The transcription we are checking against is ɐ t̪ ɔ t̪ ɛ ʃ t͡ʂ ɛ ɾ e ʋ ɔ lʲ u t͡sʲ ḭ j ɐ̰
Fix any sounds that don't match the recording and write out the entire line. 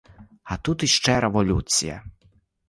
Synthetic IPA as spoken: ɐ t̪ u t̪ i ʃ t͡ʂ ɛ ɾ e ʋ ɔ lʲ u t͡sʲ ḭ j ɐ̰